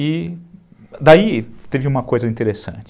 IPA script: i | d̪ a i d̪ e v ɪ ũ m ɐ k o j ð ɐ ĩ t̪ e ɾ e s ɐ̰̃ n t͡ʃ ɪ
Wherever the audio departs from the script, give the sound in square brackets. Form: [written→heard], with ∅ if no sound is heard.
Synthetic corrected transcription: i | d̪ a i [d̪→t̪] e v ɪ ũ m ɐ k o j [ð→z] ɐ ĩ t̪ e ɾ e s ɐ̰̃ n t͡ʃ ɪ